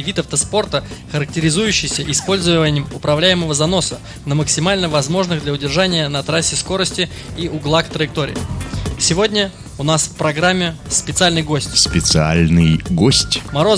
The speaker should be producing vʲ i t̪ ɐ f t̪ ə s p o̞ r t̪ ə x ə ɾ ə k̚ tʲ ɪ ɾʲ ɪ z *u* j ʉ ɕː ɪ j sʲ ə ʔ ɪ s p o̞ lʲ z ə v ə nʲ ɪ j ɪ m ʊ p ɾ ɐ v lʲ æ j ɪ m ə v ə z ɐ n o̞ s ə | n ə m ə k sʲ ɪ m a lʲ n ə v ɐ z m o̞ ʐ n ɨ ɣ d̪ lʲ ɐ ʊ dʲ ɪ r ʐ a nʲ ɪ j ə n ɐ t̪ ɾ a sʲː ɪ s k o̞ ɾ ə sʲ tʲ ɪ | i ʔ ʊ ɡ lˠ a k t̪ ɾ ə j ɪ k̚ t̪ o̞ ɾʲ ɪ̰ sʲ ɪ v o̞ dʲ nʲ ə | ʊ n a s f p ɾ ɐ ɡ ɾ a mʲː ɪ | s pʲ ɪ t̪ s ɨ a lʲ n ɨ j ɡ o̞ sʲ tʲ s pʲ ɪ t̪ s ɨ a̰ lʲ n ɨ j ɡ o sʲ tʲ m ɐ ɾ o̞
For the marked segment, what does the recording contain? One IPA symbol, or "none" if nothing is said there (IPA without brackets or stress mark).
u